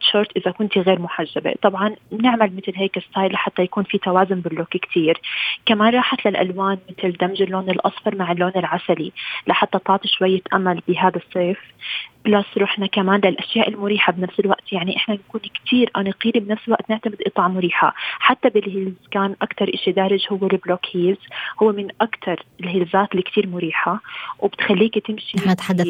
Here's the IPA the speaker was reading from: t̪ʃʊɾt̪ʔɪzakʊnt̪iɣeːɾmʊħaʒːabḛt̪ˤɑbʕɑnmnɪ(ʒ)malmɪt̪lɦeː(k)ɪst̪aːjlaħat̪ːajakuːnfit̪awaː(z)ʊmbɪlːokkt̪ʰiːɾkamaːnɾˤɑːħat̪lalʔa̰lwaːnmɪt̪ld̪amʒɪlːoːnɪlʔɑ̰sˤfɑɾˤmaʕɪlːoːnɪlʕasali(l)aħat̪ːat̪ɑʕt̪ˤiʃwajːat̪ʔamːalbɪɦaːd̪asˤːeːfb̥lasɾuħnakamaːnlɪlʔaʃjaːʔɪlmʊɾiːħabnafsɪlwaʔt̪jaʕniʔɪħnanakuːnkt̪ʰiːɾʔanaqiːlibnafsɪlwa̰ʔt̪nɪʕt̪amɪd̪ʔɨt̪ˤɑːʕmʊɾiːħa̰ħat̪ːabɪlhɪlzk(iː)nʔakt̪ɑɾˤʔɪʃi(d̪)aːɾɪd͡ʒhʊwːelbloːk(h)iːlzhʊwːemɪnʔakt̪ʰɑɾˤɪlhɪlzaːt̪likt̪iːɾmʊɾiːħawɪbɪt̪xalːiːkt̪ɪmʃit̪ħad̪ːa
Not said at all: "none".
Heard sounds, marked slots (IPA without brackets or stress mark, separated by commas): ʕ, k, z, l, aː, d̪, h